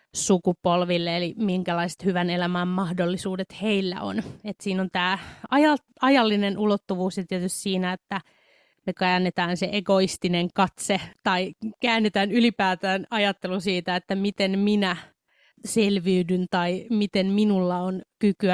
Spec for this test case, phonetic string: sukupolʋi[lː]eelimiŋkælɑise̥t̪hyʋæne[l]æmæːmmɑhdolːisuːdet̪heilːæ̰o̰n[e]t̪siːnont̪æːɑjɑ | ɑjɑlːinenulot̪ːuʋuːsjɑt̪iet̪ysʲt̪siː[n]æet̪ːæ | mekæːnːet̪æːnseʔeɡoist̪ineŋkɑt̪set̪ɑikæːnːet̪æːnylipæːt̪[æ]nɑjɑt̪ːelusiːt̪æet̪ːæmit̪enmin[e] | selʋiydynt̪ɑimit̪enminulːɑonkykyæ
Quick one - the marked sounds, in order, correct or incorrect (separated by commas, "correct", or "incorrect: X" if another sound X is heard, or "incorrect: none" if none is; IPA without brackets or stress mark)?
correct, correct, correct, correct, incorrect: æː, incorrect: æ